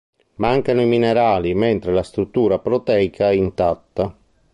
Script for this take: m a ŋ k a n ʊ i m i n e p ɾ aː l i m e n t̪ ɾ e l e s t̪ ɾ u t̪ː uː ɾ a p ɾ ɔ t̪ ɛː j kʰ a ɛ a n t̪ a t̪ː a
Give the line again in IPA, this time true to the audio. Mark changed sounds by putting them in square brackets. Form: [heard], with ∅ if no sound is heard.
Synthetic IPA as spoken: m a ŋ k a n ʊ i m i n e [∅] ɾ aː l i m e n t̪ ɾ e l [a] s t̪ ɾ u t̪ː uː ɾ a p ɾ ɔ t̪ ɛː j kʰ a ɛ [i] n t̪ a t̪ː a